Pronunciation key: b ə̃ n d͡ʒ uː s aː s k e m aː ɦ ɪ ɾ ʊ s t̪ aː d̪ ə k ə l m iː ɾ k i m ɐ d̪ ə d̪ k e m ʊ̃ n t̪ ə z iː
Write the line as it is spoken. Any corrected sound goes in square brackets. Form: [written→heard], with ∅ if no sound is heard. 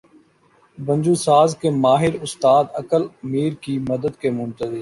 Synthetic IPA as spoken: b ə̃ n d͡ʒ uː s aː [s→z] k e m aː ɦ ɪ ɾ ʊ s t̪ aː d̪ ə k ə l m iː ɾ k i m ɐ d̪ ə d̪ k e m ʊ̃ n t̪ ə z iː